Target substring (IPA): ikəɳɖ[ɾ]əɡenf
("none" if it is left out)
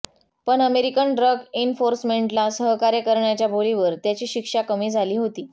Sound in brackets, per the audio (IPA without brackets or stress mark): ɾ